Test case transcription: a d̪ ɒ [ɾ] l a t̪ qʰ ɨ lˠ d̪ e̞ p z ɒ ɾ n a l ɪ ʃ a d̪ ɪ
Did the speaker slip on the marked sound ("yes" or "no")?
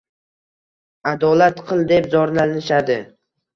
yes